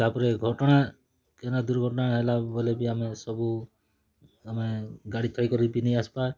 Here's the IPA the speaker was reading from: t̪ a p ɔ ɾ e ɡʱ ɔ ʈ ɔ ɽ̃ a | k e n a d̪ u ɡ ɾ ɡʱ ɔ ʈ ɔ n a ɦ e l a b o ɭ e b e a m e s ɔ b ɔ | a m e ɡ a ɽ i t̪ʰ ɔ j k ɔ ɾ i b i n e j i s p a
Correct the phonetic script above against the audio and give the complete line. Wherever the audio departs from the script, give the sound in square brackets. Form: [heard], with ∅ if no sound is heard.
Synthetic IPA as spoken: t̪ a p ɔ ɾ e ɡʱ ɔ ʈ ɔ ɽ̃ a | k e n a d̪ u [∅] ɾ ɡʱ ɔ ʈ ɔ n a ɦ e l a b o [l] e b [i] a m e s ɔ b [u] | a m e ɡ a ɽ i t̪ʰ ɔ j k ɔ ɾ i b i n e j [a] s p a